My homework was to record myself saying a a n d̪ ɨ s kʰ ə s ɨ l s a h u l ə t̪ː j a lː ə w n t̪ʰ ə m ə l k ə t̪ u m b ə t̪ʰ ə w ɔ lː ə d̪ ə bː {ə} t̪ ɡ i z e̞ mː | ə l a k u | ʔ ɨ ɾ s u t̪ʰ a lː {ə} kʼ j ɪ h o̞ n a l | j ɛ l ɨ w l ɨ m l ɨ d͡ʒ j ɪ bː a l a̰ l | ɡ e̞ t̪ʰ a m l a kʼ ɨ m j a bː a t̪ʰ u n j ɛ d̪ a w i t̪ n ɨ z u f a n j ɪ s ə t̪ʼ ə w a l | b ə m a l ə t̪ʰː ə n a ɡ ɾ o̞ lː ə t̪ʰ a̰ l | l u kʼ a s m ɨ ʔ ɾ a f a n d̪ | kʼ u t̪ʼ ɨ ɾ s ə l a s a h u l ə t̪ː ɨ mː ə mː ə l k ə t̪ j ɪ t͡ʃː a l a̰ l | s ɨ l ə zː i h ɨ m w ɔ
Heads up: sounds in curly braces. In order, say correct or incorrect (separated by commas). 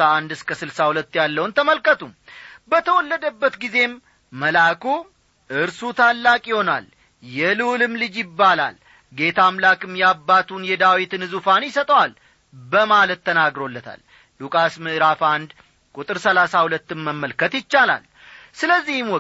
correct, incorrect